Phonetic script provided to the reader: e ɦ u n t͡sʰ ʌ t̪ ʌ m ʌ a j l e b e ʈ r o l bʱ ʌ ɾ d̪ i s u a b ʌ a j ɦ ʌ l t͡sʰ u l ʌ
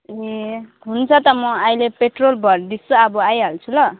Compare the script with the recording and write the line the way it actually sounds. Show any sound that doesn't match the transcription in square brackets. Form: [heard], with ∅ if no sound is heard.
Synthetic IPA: e ɦ u n t͡sʰ ʌ t̪ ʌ m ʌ a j l e [p] e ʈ r o l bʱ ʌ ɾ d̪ i s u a b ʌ a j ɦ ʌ l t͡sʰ u l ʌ